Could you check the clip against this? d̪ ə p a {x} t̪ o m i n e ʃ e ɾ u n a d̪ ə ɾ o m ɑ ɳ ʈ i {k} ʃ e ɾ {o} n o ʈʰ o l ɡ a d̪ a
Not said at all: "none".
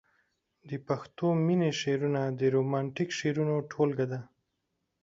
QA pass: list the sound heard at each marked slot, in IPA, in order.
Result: x, k, u

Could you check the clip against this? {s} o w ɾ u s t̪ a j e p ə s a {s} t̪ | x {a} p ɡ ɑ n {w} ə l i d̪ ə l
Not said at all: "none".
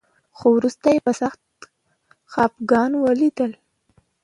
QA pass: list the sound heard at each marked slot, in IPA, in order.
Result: x, x, ɑ, w

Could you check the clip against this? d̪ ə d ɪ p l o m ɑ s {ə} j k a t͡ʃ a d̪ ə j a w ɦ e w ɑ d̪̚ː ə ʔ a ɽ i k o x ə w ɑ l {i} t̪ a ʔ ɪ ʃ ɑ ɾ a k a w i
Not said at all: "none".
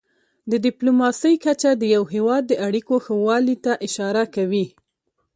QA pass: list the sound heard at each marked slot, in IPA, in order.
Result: ə, i

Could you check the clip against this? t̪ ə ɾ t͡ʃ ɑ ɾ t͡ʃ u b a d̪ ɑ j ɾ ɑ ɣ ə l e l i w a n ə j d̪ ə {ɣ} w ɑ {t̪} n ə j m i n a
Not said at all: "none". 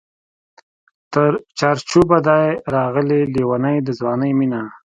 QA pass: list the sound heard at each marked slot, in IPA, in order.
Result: z, none

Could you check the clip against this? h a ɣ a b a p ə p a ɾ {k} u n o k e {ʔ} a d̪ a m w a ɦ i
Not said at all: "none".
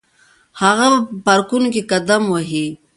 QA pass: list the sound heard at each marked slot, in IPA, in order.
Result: k, k

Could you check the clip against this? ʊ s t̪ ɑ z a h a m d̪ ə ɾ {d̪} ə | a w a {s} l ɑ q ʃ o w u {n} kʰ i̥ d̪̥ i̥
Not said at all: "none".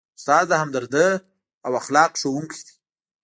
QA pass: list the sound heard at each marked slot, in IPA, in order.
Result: d̪, x, ŋ

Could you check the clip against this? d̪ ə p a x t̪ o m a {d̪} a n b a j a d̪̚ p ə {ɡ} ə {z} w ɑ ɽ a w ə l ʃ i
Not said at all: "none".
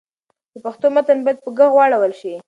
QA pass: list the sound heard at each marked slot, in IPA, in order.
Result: t̪, ɡ, ɣ

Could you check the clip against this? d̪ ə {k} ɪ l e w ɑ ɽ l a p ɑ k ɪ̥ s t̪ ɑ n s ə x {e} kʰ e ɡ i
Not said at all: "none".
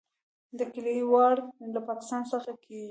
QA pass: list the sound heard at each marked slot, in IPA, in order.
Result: k, a

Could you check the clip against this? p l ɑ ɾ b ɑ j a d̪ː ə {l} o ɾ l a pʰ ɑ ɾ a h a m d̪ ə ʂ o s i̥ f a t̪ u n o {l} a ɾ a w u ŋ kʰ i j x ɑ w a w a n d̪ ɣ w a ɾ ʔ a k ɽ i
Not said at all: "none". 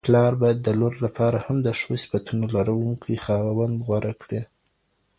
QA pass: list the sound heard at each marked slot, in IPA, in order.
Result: l, l

